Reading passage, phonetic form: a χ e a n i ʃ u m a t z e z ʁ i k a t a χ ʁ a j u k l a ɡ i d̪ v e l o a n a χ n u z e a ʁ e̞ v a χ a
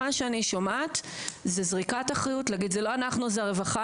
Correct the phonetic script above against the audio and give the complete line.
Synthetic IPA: a ʃ e a n i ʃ o m a t z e z ʁ i k a t a χ ʁ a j u t l a ɡ i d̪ z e l o a n a χ n u z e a ʁ e̞ v a χ a